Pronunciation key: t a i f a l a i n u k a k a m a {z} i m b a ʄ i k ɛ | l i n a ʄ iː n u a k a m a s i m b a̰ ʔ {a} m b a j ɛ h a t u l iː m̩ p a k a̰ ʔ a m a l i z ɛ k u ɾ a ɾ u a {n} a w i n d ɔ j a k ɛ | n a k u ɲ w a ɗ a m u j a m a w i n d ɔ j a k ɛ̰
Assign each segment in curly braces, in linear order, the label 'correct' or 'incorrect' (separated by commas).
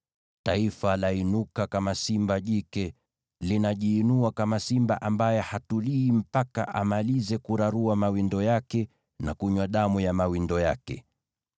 incorrect, correct, incorrect